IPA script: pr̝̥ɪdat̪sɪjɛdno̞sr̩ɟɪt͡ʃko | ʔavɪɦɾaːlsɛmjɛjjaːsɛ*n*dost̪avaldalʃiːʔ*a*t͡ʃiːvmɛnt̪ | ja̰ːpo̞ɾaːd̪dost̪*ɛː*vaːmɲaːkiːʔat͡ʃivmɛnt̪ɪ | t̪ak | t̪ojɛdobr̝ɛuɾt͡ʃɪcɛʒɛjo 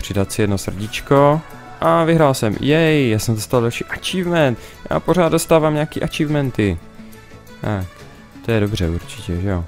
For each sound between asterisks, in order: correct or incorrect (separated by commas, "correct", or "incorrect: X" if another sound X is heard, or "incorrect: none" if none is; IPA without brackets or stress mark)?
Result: incorrect: m, correct, incorrect: aː